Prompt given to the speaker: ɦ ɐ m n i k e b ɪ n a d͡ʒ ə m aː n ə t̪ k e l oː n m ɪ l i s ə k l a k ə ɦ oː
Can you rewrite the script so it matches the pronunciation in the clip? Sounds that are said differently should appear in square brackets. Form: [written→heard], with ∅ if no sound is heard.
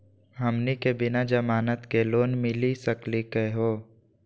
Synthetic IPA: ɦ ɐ m n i k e b ɪ n a d͡ʒ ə m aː n ə t̪ k e l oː n m ɪ l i s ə k l [a→i] k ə ɦ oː